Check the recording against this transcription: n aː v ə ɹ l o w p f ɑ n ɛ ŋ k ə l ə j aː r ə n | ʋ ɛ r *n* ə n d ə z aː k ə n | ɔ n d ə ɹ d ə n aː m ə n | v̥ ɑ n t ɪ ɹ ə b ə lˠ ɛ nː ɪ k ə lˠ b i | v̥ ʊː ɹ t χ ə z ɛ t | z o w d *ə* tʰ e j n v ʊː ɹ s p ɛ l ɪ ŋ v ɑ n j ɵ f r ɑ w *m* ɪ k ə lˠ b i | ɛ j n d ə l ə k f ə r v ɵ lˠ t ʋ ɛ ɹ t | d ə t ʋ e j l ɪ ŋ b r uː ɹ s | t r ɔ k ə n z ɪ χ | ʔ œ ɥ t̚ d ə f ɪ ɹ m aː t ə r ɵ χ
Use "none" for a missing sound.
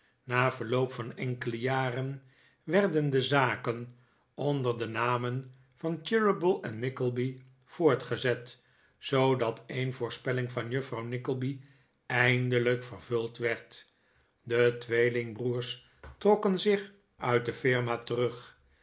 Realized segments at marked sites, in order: d, ɑ, n

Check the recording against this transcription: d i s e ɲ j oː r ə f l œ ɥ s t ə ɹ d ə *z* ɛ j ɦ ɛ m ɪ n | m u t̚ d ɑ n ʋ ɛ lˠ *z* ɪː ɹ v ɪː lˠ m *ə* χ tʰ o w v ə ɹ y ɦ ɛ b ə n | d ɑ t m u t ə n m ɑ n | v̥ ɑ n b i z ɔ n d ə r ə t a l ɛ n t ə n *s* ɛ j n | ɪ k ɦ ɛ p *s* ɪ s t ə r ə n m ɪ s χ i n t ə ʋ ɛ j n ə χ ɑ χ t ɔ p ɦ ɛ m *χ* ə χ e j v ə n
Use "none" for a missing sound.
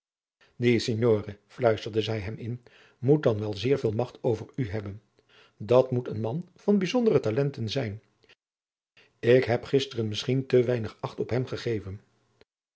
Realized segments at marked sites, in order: z, z, ɑ, z, χ, χ

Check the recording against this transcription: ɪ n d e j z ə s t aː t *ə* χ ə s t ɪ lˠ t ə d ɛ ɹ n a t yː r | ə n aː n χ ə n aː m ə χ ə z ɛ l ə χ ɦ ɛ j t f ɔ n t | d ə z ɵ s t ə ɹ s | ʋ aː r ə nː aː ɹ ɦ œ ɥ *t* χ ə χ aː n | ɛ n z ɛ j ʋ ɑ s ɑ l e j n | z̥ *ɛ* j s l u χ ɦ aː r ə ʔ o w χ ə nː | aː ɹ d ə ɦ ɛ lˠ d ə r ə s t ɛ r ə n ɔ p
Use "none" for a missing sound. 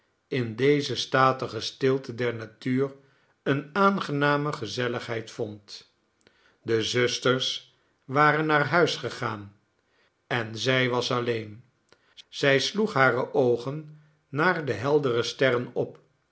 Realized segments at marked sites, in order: ə, s, ɛ

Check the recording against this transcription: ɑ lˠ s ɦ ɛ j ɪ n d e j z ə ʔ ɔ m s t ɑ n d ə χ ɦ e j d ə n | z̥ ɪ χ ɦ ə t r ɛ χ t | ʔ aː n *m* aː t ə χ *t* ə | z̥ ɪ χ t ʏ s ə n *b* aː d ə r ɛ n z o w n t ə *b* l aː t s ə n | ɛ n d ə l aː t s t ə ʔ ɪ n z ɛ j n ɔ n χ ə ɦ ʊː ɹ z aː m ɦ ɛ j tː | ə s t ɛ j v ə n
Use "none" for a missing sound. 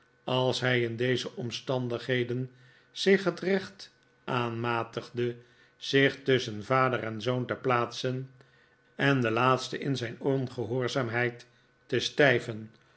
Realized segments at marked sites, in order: m, d, v, p

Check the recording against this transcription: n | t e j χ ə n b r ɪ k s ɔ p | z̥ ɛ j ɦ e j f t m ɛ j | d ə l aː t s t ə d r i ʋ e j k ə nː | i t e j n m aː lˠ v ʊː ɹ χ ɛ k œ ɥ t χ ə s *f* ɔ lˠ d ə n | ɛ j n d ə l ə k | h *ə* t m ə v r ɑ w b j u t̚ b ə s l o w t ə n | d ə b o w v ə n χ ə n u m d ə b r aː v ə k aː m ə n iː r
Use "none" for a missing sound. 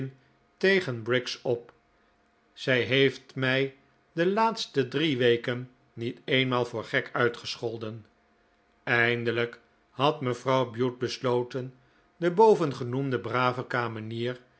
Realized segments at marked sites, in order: χ, ɑ

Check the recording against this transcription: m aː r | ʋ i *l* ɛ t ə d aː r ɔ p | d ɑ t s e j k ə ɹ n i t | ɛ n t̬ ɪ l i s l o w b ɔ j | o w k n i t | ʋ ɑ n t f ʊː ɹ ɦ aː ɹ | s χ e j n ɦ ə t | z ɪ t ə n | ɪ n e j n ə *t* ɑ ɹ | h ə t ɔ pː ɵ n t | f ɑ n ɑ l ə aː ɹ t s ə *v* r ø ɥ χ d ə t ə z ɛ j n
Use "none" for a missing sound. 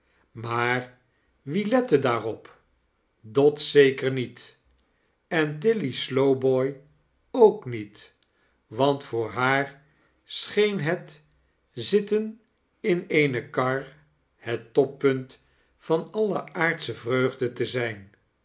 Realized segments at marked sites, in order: l, k, v

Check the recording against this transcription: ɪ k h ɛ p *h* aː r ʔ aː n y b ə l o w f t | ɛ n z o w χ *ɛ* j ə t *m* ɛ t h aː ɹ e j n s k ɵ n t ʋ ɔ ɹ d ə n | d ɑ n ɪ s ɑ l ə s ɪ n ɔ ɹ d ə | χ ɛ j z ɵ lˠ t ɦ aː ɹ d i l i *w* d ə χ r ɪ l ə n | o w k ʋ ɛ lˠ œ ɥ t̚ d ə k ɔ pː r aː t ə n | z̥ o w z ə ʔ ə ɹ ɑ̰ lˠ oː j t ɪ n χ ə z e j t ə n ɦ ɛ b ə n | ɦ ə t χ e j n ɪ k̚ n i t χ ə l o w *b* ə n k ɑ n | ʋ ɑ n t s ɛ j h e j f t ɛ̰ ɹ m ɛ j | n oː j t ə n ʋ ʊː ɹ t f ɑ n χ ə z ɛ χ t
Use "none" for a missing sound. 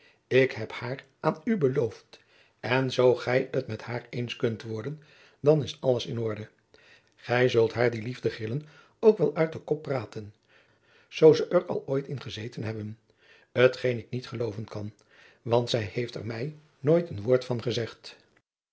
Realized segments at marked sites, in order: h, ɛ, m, v, v

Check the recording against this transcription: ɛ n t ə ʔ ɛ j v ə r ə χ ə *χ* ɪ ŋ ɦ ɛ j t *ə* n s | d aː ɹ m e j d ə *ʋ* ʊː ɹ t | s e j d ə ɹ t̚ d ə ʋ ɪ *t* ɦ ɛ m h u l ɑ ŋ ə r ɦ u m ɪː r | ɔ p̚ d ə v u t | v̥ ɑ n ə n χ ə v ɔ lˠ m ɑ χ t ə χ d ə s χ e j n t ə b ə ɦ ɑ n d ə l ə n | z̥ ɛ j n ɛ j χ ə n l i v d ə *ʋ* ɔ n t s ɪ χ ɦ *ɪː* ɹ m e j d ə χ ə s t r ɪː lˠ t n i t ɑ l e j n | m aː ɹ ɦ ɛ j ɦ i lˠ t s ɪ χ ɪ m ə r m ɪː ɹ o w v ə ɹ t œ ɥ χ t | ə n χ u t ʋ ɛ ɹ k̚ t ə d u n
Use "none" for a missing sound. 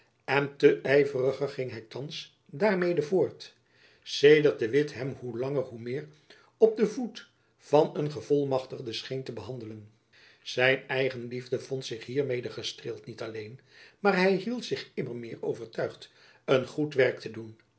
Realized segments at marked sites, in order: χ, ɑ, v, t, v, iː

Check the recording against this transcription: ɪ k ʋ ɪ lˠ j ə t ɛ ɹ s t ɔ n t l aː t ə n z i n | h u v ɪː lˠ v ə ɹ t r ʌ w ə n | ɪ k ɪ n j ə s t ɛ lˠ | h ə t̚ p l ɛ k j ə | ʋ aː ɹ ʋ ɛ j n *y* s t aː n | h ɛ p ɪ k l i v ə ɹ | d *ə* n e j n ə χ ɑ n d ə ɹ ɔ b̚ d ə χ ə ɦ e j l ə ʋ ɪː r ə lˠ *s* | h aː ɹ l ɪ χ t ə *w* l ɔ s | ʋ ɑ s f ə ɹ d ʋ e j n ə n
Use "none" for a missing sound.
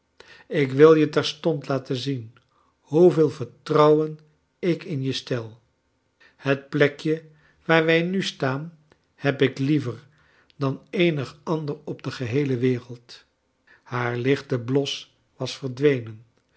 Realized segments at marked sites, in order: y, ɑ, t, b

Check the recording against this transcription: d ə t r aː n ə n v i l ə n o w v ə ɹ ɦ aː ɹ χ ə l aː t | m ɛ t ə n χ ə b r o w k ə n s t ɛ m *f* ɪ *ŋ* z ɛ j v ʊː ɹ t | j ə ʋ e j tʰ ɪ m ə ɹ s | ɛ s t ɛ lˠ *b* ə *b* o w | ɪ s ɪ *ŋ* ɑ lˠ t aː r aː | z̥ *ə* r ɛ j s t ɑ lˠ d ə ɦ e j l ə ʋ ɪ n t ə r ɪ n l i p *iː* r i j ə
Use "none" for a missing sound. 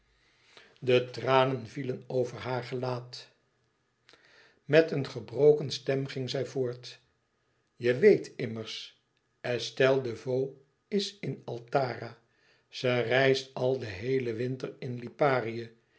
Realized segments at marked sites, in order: χ, ŋ, d, v, n, ə, aː

